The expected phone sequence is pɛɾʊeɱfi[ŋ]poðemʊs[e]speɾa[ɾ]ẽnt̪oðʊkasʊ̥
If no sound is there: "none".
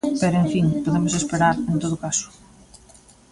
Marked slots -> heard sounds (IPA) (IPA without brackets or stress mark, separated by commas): ŋ, e, ɾ